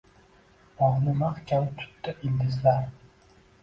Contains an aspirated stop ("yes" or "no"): yes